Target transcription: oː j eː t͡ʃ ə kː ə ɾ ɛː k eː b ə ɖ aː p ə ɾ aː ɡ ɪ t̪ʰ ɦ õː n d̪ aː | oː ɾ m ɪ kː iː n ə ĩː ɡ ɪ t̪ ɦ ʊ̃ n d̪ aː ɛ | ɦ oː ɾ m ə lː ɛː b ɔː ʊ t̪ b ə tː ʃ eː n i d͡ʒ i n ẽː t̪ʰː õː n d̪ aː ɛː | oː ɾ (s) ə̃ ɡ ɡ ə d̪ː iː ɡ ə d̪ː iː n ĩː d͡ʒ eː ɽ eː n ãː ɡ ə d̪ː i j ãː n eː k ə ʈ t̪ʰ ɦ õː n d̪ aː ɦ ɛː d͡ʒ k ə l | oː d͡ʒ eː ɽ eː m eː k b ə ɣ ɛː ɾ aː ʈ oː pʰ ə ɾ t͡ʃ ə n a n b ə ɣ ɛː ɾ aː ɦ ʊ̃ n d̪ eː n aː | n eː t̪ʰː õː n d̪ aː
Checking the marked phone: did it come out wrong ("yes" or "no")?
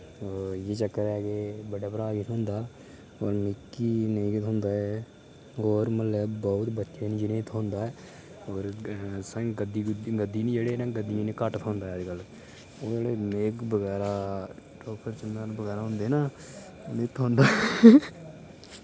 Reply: no